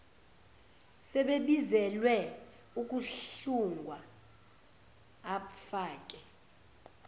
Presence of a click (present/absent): absent